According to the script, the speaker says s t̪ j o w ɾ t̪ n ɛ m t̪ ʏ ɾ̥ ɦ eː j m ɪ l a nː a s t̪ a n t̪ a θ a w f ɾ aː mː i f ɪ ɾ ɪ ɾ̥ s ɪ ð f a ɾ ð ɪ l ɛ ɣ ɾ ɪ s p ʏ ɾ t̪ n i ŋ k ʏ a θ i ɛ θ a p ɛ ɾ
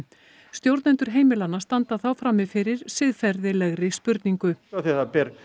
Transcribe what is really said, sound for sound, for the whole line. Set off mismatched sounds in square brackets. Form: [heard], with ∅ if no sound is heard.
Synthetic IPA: s t̪ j o w ɾ t̪ n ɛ [n] t̪ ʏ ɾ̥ ɦ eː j m ɪ l a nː a s t̪ a n t̪ a θ a w f ɾ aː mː [ɪ] f ɪ ɾ ɪ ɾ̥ s ɪ ð f [ɛ] ɾ ð ɪ l ɛ ɣ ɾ ɪ s p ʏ ɾ t̪ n i ŋ k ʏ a θ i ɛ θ a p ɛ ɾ